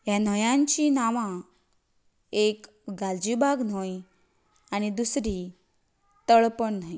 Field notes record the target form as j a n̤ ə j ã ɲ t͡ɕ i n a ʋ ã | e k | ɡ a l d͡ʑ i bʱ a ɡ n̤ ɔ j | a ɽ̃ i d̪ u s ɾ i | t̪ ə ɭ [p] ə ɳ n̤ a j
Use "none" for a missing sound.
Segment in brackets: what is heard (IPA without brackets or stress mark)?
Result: p